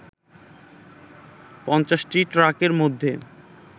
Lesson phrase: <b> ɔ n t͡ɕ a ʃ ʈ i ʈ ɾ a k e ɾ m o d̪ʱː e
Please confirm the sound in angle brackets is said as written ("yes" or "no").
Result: no